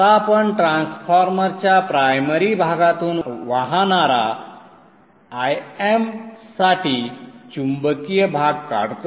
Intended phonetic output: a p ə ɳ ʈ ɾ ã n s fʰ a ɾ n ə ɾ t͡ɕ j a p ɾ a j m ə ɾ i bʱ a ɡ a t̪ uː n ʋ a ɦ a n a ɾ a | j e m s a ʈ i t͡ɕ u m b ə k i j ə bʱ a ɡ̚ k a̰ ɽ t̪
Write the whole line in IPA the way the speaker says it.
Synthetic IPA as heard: a p ə ɳ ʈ ɾ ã n s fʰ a ɾ m ə ɾ t͡ɕ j a p ɾ a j m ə ɾ i bʱ a ɡ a t̪ uː n ʋ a ɦ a n a ɾ a | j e m s a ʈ i t͡ɕ u m b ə k i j ə bʱ a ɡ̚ k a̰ ɽ t̪